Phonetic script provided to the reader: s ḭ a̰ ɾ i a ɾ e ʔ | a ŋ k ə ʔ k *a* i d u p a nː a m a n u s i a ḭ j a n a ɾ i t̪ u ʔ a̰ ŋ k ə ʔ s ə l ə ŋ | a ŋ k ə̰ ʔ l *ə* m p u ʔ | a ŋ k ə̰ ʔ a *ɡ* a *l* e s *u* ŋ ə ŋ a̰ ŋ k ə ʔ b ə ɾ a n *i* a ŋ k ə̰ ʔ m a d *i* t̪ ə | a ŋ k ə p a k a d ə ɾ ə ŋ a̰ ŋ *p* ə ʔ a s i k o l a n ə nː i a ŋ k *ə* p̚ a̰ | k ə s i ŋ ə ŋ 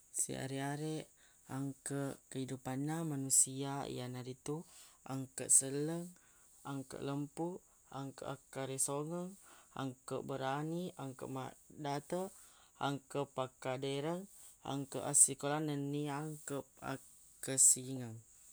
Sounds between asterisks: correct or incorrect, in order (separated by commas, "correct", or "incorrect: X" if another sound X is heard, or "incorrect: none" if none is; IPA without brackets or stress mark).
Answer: incorrect: ə, correct, incorrect: k, incorrect: ɾ, incorrect: o, correct, incorrect: a, incorrect: k, correct